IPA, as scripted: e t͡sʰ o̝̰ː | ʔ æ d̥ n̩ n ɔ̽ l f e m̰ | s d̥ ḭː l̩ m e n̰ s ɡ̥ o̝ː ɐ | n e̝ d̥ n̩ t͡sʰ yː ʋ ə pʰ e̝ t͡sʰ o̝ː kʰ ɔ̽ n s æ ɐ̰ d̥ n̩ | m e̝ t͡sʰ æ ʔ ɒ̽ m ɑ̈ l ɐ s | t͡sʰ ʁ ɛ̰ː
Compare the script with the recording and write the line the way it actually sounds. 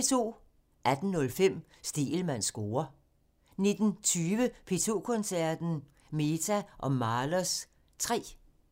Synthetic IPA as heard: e t͡sʰ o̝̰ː | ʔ æ d̥ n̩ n ɔ̽ l f e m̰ | s d̥ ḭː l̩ m æ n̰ s ɡ̥ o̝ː ɐ | n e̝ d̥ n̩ t͡sʰ yː ʋ ə pʰ e̝ t͡sʰ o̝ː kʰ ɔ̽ n s æ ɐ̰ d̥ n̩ | m e̝ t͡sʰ æ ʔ ɒ̽ m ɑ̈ l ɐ s | t͡sʰ ʁ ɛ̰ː